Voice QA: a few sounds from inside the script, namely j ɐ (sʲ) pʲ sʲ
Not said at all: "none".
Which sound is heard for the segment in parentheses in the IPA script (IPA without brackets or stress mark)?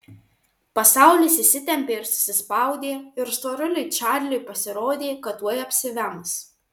none